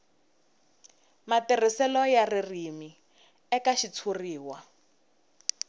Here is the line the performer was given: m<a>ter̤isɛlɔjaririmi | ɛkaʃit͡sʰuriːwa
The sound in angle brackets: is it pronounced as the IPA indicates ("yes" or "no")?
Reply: yes